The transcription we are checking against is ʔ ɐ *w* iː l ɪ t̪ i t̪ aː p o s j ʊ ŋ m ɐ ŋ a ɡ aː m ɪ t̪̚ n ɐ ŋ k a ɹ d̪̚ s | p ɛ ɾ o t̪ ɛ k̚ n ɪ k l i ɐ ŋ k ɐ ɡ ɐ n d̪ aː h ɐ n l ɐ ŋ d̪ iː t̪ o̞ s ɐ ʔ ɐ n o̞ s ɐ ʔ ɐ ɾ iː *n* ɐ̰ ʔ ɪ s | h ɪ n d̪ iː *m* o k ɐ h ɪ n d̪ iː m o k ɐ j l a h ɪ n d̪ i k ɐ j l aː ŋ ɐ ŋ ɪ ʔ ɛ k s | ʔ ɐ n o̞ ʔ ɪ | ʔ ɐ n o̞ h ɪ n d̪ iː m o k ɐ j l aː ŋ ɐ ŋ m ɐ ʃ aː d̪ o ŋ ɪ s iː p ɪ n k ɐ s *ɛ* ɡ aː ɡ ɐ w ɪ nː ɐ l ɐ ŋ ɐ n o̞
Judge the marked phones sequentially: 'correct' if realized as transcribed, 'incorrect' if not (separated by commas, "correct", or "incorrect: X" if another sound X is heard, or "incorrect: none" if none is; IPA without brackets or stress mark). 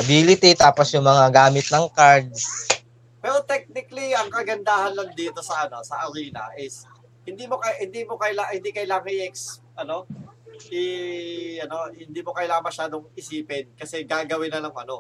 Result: incorrect: b, correct, correct, correct